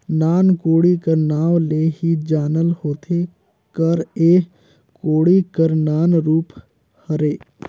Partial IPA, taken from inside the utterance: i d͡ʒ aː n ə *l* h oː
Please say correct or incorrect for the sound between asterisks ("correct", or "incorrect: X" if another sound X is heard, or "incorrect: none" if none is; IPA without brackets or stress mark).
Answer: correct